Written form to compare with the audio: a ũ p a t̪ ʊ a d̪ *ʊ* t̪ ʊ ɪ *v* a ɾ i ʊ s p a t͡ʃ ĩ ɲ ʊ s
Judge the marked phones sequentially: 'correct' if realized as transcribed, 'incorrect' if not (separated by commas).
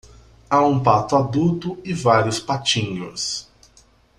incorrect, correct